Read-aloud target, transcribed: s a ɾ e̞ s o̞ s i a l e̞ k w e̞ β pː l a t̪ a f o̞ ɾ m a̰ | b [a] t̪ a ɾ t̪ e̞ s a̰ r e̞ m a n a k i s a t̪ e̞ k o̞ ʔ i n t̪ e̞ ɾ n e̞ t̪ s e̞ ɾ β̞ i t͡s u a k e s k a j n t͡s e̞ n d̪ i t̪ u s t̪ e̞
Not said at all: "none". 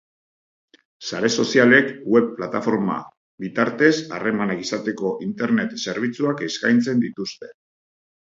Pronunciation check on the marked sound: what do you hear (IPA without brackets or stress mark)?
i